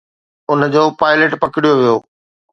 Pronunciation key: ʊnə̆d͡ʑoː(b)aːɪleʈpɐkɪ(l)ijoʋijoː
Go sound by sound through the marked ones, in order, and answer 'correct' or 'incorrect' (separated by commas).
incorrect, incorrect